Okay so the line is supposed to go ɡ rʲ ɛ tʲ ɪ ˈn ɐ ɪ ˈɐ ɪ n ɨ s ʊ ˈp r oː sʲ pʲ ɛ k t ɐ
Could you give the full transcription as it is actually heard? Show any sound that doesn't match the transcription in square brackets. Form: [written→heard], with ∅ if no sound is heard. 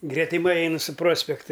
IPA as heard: ɡ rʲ ɛ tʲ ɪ [ˈn→ˈm] ɐ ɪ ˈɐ ɪ n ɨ s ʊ ˈp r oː sʲ pʲ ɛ k t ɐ